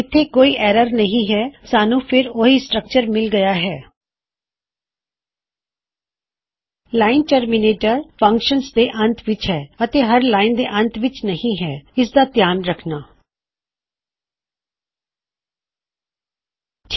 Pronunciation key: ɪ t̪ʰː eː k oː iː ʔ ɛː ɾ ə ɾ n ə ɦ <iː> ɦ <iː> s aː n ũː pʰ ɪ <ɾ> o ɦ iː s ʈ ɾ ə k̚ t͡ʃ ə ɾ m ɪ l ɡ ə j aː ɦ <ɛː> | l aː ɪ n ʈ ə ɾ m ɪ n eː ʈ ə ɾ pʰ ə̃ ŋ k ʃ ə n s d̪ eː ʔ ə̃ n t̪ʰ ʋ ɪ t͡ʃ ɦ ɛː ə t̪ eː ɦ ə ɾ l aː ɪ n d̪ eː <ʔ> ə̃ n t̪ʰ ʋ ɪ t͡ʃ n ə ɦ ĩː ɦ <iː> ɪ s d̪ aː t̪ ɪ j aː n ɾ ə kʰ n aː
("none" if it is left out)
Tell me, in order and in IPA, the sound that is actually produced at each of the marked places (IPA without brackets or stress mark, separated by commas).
ĩː, ɛː, ɾ, ɛː, ʔ, ɛː